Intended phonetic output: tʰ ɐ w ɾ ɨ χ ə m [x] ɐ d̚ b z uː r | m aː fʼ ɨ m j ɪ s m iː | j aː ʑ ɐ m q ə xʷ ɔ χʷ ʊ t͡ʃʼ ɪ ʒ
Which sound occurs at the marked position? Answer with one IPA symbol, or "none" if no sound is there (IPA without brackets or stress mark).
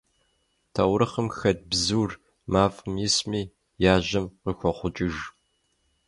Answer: x